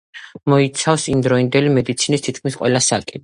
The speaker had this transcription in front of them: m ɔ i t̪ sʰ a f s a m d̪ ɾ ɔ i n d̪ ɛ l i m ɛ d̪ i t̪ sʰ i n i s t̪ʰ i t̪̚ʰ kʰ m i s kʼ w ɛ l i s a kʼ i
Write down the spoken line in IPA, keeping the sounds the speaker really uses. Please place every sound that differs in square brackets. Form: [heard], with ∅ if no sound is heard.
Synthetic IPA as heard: m ɔ i t̪ sʰ a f s [i] m d̪ ɾ ɔ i n d̪ ɛ l i m ɛ d̪ i t̪ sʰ i n i s t̪ʰ i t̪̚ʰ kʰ m i s [qʼ] w ɛ l [a] s a kʼ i